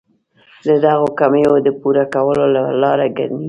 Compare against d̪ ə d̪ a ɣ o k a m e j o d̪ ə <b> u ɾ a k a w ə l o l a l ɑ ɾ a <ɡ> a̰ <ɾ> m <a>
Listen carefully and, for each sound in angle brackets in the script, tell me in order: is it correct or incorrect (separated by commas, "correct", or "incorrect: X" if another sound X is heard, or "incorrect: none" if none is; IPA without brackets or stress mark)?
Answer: incorrect: p, correct, correct, incorrect: i